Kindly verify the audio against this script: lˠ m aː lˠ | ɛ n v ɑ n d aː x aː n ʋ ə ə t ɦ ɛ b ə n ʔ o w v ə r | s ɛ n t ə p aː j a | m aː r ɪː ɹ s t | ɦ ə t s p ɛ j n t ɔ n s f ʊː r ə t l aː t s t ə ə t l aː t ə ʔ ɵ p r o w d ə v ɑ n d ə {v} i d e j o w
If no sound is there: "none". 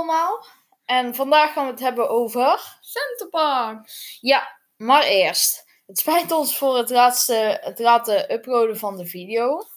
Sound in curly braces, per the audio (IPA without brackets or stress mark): v